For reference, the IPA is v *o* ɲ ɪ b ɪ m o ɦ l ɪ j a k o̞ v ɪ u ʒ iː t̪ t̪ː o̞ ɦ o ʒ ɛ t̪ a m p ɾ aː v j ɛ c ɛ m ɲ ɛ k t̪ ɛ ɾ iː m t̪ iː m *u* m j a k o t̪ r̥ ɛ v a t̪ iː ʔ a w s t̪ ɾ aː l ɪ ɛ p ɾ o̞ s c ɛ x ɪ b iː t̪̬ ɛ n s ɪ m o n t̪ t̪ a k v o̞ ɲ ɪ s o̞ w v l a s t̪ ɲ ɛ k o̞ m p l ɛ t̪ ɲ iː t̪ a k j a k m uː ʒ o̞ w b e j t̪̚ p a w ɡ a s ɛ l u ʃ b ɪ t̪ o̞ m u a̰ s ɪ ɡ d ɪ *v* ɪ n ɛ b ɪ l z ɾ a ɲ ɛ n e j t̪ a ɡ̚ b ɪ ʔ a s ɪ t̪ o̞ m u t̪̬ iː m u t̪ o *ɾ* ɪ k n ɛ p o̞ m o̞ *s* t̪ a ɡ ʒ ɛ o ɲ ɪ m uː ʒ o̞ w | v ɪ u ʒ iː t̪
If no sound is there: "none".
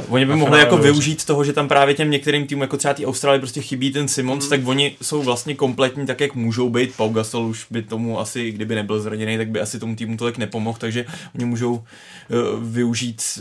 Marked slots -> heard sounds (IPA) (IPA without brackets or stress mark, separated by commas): o, u, b, l, x